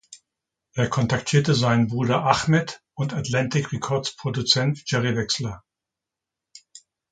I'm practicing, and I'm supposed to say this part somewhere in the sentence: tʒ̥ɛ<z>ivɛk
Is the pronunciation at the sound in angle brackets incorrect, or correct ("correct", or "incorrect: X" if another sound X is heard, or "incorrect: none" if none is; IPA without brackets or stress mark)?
incorrect: ʁ